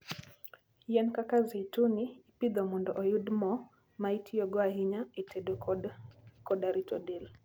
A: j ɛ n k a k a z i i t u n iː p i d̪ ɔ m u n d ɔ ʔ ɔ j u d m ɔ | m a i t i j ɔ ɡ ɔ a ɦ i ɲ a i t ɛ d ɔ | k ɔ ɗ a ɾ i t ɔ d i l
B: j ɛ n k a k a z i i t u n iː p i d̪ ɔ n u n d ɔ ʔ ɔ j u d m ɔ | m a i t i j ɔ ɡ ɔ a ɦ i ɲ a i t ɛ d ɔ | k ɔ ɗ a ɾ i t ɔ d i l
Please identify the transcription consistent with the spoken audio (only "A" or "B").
A